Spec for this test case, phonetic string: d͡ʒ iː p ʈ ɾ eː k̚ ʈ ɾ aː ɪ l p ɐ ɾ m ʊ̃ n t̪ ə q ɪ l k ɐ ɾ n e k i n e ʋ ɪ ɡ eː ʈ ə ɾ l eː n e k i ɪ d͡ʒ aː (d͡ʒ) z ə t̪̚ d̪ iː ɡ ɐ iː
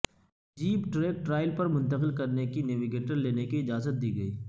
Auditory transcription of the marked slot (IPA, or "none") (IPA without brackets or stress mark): none